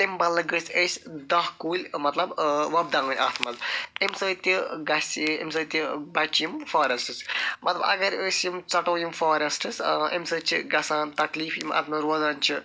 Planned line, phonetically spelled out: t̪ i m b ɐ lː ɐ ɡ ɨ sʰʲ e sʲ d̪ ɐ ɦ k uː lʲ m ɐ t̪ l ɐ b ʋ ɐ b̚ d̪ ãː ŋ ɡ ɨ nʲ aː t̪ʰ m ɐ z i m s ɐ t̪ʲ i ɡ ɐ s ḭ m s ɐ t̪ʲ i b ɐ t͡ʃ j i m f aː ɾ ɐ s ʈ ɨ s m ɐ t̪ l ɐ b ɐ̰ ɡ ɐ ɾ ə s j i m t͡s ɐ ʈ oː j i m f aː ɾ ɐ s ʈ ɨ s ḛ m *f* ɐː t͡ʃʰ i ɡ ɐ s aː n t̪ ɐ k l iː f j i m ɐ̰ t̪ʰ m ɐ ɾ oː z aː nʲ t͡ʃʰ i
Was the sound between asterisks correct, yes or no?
no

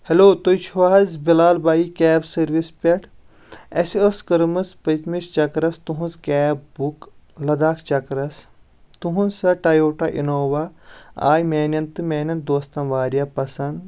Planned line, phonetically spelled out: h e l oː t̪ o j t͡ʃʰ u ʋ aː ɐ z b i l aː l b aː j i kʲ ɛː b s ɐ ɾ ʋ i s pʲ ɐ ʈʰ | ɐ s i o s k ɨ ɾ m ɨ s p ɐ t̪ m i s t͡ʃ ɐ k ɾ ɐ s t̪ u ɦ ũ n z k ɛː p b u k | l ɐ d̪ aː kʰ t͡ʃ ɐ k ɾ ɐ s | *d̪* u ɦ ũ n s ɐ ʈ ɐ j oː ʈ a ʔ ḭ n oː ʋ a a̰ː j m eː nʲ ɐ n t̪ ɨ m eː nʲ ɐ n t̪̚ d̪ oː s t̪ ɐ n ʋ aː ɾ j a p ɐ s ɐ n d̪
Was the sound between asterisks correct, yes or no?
no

